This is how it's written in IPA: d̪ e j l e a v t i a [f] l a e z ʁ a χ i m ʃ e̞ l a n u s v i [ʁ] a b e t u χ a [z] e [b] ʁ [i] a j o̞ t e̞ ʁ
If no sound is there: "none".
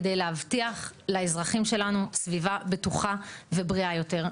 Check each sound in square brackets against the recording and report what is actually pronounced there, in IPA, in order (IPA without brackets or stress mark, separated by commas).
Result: χ, v, v, b, i